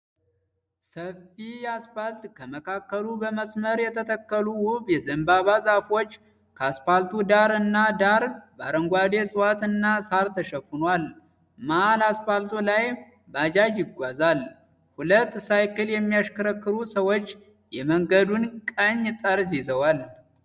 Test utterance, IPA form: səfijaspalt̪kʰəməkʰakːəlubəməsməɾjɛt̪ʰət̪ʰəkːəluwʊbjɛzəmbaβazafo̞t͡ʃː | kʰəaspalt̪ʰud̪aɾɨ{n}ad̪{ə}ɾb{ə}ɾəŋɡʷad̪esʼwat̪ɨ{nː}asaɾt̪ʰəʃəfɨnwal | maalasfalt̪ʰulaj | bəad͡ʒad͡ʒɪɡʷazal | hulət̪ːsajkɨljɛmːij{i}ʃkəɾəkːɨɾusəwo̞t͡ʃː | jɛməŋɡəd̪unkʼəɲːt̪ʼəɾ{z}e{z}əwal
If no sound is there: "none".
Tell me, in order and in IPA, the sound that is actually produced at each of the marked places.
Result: nː, a, a, nː, a, z, z

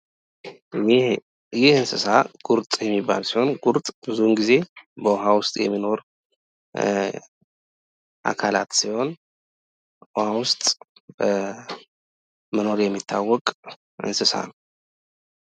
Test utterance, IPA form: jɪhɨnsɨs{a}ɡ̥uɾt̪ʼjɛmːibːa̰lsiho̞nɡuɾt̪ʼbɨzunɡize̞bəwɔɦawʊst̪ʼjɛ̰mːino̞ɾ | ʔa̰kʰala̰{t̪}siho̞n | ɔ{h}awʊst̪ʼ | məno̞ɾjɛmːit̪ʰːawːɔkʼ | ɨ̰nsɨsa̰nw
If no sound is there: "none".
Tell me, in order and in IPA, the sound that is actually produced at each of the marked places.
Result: a, t̪, h

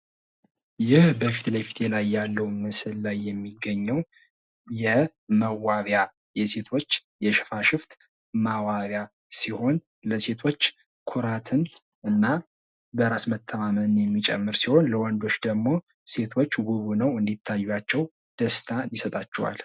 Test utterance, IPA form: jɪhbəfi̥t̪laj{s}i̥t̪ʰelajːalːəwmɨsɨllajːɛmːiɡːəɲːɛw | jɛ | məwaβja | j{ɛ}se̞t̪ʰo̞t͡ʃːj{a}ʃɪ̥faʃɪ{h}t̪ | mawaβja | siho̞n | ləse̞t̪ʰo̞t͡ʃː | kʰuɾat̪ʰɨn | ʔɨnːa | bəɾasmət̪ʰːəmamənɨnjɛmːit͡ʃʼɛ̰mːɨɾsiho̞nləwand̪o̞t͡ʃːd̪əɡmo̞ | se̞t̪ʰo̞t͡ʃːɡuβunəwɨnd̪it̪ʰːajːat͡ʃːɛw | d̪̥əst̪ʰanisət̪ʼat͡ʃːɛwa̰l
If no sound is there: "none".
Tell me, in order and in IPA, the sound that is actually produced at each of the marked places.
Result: f, ɛ, ɛ, f

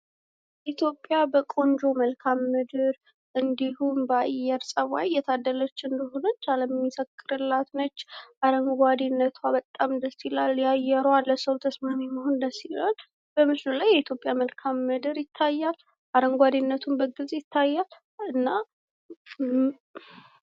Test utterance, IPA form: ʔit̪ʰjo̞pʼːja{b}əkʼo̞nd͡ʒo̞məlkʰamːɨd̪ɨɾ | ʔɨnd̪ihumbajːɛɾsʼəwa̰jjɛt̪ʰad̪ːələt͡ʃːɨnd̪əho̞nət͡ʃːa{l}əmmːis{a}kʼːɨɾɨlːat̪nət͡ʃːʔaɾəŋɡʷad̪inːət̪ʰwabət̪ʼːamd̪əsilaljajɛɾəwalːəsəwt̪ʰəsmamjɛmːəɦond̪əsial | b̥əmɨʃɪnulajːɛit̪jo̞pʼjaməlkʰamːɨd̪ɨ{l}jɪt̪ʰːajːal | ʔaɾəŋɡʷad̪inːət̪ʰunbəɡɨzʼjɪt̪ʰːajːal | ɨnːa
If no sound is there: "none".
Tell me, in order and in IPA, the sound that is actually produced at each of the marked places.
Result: b, l, ə, ɾ

